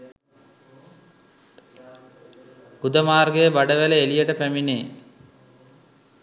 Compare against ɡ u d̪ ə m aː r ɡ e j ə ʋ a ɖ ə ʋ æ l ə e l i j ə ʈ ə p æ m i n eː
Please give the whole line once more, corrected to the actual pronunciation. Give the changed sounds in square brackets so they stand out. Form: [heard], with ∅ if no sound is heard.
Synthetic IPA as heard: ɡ u d̪ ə m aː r ɡ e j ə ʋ a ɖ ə ʋ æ l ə e l i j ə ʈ ə p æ m i n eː